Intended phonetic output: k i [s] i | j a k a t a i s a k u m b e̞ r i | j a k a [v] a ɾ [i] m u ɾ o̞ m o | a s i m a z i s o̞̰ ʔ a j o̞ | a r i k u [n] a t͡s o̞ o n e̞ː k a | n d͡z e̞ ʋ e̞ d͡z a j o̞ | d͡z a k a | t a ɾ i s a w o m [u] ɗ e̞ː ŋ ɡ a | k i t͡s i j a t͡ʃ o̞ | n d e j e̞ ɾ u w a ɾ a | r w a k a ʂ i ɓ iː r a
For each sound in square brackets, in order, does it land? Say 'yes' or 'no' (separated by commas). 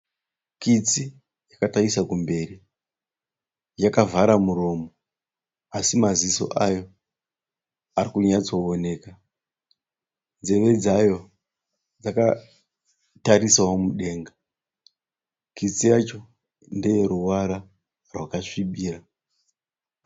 no, yes, no, no, yes